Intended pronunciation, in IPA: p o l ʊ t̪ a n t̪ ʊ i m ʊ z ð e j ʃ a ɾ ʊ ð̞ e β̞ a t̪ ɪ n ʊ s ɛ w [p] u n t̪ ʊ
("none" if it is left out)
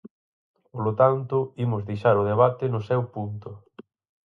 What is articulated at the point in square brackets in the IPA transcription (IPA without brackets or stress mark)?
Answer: p